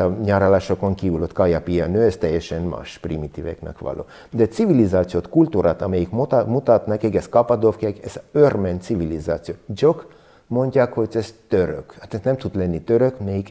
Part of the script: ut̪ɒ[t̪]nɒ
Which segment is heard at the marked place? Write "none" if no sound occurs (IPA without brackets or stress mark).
t̪